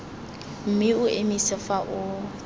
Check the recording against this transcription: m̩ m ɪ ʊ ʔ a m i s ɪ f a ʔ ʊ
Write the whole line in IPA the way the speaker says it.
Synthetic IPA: m̩ m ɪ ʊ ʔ e m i s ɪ f a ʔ ʊ